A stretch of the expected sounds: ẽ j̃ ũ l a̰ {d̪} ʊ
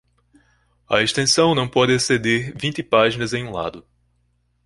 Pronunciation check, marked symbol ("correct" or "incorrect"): correct